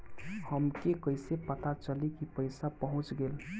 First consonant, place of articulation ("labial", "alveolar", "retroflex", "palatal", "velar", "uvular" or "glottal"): glottal